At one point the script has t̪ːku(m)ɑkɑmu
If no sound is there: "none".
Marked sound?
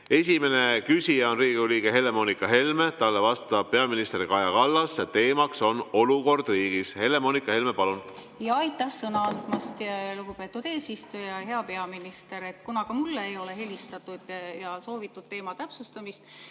n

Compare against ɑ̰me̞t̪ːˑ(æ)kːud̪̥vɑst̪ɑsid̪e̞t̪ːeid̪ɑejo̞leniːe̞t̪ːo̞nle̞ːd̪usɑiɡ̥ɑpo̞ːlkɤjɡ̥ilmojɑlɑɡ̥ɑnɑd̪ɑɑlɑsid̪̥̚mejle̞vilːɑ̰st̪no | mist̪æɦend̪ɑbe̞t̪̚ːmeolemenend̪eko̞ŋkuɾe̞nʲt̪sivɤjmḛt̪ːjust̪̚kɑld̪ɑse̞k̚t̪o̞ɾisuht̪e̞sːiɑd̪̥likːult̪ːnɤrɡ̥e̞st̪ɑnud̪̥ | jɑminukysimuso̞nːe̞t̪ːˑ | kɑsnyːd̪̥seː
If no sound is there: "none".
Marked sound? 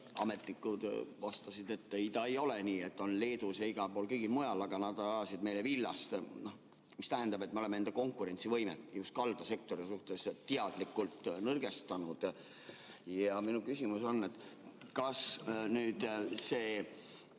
i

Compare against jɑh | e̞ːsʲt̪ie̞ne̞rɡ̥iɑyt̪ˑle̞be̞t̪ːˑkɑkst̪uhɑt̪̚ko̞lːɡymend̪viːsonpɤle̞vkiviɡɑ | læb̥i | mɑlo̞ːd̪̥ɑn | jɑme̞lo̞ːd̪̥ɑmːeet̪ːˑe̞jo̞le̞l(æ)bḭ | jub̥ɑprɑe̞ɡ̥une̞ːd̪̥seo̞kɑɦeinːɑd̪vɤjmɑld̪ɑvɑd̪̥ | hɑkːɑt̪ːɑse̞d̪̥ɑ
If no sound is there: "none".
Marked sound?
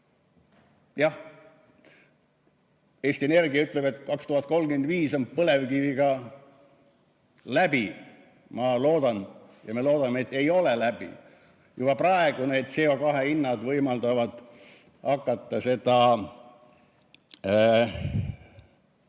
æ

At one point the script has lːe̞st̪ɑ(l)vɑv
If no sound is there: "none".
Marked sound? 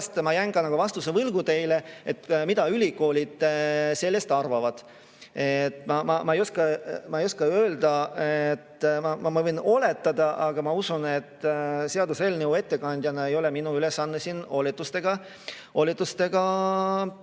r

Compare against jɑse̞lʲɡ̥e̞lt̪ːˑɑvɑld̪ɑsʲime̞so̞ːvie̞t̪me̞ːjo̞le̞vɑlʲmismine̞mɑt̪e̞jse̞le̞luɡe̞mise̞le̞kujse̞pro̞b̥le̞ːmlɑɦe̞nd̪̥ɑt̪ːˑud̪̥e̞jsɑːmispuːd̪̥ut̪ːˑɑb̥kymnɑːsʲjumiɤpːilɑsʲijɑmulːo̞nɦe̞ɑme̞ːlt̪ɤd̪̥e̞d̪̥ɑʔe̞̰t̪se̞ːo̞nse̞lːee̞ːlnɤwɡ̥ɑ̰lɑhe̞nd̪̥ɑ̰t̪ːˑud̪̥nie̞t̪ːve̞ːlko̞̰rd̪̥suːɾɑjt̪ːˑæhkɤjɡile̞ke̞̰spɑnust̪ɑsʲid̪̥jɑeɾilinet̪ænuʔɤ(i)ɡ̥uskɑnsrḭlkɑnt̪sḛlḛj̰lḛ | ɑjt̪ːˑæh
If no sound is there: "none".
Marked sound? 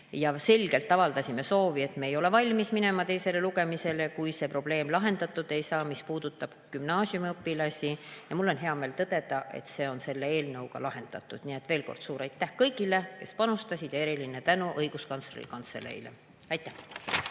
j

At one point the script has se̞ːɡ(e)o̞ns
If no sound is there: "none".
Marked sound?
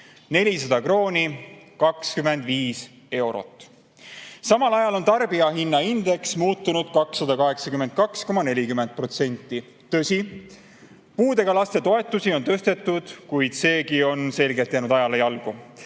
i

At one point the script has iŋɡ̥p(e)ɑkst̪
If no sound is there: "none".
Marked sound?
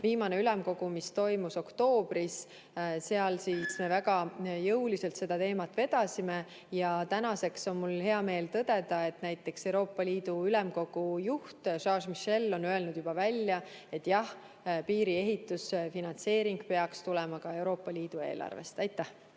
e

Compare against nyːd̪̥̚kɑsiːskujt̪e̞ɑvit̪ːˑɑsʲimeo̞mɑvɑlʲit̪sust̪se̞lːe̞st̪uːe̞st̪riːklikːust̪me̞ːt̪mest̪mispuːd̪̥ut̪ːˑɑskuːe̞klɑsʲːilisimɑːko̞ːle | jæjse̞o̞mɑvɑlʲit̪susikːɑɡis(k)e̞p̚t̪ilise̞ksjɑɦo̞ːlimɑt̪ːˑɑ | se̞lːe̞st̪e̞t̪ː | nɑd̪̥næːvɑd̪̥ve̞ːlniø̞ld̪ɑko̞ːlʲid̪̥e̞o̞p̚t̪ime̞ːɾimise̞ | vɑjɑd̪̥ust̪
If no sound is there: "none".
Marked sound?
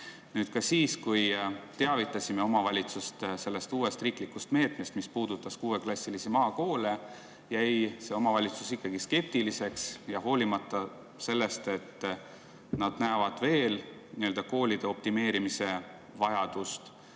k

